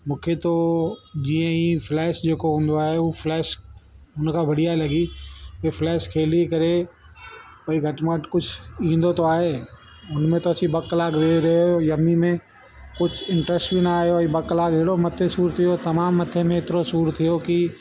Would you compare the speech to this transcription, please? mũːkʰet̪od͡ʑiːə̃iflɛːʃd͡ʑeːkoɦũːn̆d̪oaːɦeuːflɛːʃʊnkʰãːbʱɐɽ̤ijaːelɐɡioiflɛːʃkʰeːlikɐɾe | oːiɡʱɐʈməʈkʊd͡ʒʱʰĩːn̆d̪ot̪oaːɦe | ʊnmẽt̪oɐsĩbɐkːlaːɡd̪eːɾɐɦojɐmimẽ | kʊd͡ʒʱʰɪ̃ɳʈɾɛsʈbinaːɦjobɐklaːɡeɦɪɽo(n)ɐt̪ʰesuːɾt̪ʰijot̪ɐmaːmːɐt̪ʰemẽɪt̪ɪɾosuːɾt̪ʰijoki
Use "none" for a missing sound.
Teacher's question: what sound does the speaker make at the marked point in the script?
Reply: m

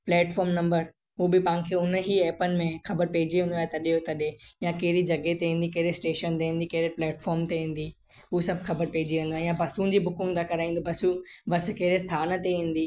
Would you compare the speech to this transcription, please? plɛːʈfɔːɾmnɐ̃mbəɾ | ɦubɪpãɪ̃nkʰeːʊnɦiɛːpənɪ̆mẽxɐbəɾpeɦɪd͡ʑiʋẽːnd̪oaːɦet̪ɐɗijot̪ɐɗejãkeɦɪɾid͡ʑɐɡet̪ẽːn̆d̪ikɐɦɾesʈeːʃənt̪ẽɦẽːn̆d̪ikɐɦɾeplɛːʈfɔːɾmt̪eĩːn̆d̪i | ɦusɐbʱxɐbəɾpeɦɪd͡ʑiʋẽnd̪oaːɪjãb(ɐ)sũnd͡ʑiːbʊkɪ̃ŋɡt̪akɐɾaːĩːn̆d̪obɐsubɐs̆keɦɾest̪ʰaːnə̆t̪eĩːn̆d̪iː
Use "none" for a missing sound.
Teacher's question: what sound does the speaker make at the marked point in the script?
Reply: ɐ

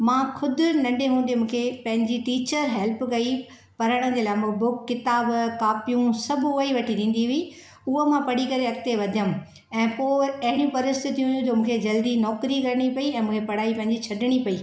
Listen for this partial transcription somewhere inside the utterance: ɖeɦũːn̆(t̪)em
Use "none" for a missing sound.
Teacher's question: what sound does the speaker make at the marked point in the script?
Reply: d̪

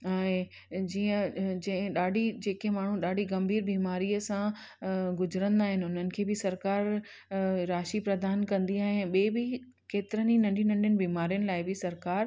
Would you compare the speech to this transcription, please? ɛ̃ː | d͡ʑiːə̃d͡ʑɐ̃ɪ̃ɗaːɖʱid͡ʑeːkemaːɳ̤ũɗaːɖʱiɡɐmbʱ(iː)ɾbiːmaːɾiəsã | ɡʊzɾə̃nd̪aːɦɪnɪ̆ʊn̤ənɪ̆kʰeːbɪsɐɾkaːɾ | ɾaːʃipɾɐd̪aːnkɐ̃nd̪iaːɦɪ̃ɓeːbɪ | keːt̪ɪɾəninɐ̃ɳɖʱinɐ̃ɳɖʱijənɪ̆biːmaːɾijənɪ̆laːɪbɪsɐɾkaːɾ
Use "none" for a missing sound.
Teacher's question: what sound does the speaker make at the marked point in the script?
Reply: iː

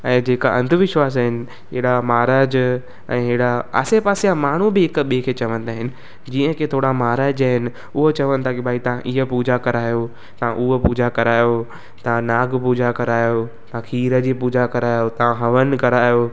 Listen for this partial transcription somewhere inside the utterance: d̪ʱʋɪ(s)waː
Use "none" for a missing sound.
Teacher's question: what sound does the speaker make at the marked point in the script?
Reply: ʃ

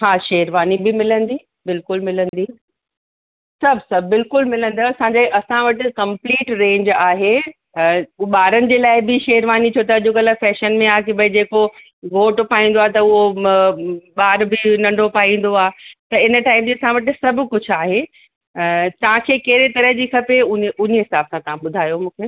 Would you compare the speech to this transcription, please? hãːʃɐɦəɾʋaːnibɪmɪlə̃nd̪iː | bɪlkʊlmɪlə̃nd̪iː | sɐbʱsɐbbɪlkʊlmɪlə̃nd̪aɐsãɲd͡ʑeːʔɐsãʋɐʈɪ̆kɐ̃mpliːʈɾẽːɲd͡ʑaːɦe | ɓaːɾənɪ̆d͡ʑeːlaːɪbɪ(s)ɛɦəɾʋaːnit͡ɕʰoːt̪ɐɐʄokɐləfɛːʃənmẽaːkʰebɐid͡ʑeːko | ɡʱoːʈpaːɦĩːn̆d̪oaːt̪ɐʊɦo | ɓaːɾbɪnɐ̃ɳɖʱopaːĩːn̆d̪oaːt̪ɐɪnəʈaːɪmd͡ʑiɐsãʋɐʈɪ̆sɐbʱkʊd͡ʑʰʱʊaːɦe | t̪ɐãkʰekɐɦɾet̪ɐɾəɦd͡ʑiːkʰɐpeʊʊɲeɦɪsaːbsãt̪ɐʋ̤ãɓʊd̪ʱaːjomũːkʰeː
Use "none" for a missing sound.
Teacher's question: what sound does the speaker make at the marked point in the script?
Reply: ʃ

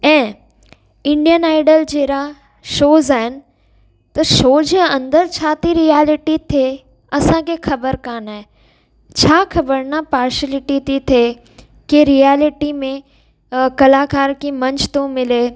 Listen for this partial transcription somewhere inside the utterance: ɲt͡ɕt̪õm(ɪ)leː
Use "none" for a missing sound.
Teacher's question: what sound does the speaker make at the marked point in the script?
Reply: ɪ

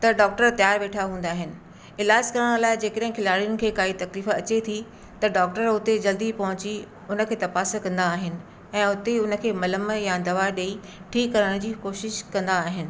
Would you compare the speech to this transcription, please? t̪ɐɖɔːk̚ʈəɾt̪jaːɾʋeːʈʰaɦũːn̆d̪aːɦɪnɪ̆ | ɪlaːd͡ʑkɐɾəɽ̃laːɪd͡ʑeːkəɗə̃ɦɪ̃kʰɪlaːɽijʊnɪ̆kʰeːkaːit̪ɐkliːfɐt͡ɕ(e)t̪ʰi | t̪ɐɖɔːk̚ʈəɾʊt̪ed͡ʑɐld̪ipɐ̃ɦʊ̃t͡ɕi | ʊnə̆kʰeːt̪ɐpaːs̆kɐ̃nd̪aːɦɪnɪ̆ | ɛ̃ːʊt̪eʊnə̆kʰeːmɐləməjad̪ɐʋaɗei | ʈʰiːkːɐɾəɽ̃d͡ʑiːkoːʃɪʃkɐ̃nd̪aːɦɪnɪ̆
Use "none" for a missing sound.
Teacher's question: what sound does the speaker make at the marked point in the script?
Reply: e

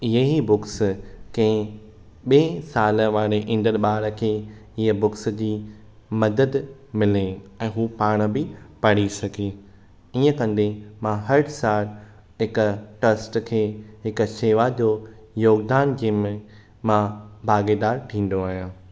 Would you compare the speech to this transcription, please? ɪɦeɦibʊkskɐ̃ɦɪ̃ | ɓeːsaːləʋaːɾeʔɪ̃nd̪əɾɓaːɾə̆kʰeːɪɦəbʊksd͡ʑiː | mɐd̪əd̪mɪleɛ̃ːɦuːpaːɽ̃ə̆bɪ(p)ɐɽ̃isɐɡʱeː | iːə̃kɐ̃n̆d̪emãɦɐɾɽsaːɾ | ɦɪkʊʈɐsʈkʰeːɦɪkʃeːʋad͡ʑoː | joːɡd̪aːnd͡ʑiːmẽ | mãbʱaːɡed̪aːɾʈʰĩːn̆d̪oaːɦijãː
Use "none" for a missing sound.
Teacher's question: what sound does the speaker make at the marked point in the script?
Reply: p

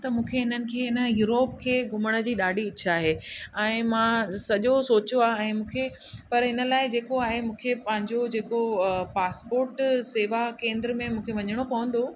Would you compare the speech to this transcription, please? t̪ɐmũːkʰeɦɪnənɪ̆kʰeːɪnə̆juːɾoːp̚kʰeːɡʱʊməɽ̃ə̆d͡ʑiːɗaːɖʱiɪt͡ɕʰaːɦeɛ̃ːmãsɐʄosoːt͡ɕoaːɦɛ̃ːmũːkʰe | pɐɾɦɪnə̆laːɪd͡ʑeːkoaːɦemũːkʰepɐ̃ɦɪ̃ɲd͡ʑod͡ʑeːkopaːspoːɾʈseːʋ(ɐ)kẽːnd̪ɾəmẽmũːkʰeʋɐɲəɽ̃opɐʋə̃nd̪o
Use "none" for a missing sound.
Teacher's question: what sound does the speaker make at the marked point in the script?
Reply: a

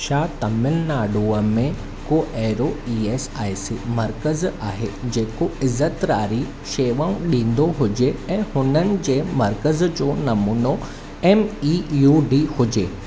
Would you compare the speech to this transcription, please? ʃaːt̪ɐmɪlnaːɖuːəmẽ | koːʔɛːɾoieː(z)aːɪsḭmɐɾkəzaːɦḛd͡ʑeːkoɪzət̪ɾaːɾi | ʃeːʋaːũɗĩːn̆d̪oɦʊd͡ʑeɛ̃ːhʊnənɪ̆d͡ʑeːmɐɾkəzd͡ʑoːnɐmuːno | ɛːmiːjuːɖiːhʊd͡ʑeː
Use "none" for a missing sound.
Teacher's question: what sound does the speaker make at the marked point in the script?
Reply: s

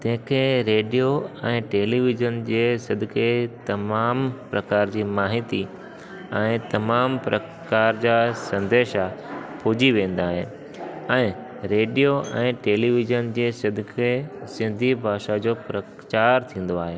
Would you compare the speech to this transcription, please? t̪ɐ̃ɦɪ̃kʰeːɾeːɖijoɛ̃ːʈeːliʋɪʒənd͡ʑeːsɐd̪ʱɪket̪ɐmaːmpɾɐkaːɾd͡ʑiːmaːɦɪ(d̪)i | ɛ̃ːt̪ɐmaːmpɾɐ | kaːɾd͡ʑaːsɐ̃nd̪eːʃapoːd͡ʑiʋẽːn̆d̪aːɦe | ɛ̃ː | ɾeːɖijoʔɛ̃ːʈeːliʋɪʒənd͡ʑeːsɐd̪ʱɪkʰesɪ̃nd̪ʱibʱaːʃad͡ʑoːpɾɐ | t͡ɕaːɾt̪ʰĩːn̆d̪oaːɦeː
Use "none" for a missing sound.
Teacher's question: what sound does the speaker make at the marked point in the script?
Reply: t̪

